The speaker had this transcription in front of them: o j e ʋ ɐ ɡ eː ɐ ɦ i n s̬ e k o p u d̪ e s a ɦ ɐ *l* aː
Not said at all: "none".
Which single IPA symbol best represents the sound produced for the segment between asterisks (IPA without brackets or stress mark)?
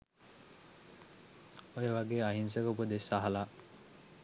l